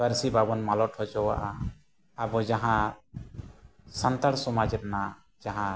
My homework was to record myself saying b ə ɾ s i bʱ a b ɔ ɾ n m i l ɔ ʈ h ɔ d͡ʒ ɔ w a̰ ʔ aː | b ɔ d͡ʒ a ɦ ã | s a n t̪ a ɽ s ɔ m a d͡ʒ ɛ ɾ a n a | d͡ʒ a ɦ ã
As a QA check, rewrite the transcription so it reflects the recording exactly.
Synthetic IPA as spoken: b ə ɾ s i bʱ a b ɔ n m a l ɔ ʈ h ɔ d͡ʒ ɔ w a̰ ʔ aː | b ɔ d͡ʒ a ɦ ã | s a n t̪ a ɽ s ɔ m a d͡ʒ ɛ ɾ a n a | d͡ʒ a ɦ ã